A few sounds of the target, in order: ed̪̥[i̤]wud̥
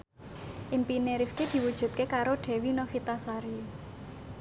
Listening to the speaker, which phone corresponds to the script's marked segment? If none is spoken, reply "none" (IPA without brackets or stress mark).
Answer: i̤